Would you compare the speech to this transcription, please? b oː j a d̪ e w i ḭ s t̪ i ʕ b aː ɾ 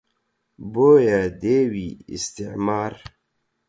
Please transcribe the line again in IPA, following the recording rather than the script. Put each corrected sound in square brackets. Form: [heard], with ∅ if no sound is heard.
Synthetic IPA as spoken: b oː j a d̪ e w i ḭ s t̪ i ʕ [m] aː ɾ